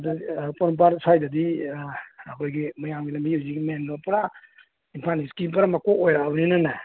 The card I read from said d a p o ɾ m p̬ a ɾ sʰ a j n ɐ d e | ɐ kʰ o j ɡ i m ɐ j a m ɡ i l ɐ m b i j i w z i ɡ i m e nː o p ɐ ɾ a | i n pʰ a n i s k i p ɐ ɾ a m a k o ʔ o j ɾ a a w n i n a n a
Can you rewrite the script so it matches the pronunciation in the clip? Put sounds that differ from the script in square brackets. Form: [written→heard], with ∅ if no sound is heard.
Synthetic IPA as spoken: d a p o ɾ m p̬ a ɾ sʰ a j [n→d] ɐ d [e→i] | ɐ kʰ o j ɡ i m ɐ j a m ɡ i l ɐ m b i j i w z i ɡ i m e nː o p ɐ ɾ a | i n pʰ a n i s k i p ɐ ɾ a m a k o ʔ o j ɾ a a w n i n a n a